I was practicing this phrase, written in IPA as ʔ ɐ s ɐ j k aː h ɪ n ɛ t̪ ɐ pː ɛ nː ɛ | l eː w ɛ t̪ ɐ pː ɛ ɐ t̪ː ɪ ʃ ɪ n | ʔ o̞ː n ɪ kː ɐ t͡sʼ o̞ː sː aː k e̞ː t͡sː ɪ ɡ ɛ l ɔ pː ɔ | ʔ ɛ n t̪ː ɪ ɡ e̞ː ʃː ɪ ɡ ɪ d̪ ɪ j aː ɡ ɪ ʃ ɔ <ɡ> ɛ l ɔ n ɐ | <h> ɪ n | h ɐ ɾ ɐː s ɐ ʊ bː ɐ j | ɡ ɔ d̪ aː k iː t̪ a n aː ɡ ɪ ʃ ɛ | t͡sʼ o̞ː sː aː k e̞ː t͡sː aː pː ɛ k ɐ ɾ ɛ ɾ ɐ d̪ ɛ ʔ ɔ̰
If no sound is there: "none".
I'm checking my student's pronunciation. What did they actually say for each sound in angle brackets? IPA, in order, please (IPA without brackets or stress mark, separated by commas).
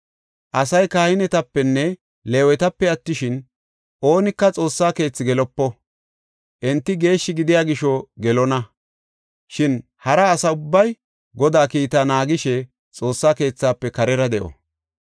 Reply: ɡ, ʃ